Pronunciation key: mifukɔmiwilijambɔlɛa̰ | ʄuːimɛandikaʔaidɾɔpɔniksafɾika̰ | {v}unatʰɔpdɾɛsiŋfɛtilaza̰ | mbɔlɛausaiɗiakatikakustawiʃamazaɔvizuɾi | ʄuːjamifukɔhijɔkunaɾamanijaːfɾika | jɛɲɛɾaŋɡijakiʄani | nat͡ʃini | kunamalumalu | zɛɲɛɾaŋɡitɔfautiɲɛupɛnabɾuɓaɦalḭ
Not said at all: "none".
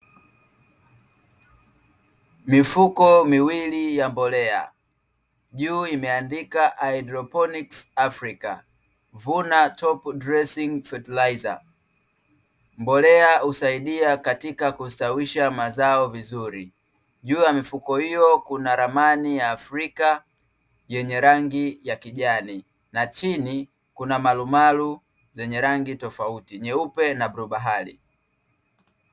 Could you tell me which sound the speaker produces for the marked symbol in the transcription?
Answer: v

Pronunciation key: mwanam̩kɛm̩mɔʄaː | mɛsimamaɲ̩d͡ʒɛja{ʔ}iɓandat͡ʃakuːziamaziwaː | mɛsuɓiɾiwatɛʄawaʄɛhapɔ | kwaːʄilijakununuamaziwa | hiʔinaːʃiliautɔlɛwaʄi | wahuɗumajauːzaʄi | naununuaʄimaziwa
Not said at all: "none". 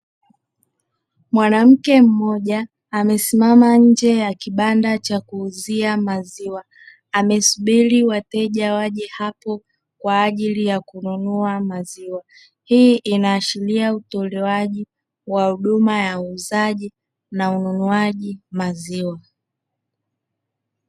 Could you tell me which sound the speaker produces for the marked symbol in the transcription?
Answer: k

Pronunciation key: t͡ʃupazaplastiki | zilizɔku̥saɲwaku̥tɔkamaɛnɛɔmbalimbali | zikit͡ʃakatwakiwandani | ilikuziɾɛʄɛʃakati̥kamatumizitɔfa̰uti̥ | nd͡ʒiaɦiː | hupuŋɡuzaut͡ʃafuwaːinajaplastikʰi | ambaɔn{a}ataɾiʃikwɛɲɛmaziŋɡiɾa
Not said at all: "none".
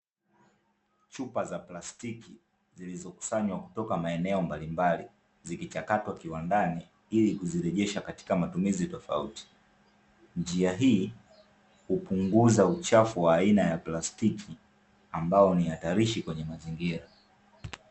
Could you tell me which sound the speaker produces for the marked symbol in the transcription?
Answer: i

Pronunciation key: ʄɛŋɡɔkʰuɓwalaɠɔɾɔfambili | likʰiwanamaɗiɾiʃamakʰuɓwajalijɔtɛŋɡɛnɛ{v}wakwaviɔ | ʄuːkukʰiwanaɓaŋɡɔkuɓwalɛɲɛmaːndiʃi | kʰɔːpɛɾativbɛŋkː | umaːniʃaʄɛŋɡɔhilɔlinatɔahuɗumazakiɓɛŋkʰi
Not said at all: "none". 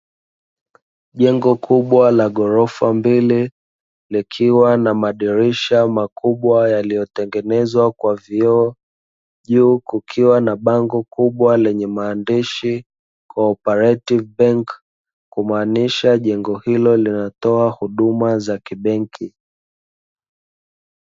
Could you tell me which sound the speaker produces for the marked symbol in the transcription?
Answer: z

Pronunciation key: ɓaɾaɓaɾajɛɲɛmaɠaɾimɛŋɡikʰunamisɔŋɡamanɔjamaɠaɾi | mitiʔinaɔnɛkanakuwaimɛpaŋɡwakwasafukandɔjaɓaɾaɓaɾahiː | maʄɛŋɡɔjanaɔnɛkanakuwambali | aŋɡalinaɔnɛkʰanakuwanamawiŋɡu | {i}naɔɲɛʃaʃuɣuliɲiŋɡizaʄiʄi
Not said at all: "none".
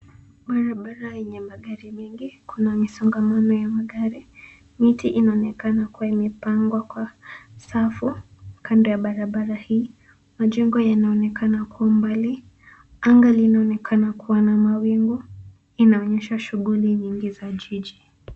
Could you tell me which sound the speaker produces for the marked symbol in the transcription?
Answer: i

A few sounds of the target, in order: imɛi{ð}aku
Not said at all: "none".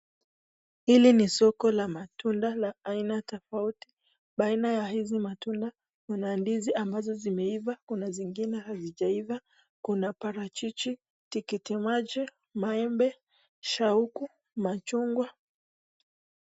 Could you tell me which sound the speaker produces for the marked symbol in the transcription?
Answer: v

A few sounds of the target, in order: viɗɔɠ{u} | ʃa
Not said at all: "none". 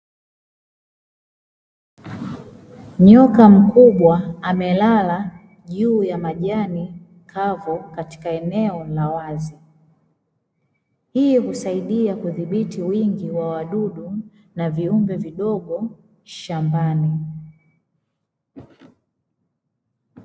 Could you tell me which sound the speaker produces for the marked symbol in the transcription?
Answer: ɔ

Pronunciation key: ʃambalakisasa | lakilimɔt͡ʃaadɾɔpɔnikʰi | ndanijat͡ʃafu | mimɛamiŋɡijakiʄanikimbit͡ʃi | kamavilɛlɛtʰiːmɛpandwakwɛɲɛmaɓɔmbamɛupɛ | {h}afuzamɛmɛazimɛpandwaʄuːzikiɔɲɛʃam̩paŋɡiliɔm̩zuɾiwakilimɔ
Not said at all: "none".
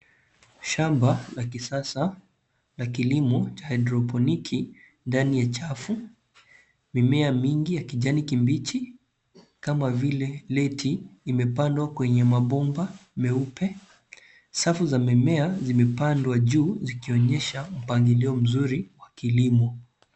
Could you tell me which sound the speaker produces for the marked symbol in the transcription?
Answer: s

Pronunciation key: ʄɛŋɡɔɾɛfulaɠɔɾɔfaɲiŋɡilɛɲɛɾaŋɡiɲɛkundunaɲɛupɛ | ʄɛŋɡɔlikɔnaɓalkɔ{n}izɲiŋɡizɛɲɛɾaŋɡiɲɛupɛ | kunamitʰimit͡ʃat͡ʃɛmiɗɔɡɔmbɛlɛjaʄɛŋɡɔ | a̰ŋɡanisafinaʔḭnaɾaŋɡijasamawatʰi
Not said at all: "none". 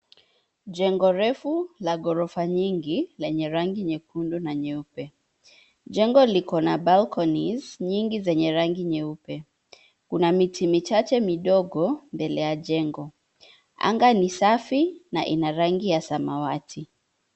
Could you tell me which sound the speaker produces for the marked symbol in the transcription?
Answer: n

